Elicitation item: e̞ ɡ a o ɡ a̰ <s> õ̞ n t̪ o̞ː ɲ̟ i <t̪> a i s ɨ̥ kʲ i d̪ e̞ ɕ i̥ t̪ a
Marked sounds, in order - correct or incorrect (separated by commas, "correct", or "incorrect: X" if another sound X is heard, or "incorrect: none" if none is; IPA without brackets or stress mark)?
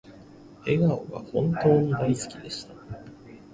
incorrect: h, incorrect: d̪